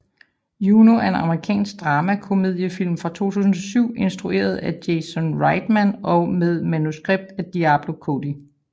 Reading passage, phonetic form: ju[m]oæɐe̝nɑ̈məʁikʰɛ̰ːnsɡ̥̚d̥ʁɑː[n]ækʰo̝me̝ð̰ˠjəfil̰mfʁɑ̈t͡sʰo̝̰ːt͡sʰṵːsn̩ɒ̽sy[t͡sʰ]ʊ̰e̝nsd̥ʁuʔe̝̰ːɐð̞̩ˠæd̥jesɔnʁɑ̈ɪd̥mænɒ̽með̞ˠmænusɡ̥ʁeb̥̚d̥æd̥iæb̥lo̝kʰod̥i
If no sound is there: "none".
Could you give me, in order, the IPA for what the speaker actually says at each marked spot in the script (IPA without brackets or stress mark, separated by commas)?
n, m, none